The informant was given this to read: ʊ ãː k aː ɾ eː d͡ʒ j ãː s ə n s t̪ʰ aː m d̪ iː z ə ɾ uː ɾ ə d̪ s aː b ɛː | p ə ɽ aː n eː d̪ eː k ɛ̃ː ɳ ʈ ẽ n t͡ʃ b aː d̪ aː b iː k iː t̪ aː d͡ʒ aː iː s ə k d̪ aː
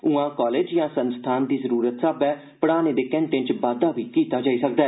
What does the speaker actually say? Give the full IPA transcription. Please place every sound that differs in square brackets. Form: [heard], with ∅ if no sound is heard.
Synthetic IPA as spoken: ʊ ãː k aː [l] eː d͡ʒ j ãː s ə n s t̪ʰ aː [n] d̪ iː z ə ɾ uː ɾ ə [t̪] s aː b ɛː | p ə ɽ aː n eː d̪ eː k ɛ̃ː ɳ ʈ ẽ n t͡ʃ b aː d̪ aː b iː k iː t̪ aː d͡ʒ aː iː s ə k d̪ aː